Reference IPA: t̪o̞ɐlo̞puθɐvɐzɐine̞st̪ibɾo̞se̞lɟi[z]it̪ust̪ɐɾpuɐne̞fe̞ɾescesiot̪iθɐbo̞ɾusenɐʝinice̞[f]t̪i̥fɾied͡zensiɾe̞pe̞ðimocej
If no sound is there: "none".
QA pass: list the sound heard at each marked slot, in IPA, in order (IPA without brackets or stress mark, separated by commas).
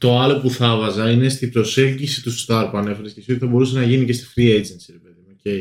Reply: s, s